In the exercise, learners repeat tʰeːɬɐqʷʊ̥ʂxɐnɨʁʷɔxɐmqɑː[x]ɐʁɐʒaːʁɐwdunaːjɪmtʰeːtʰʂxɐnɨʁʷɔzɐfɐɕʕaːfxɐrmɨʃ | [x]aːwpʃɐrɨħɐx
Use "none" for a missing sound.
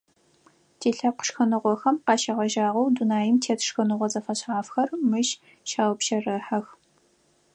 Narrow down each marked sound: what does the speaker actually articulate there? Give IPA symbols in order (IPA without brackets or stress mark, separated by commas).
ʃ, ʃ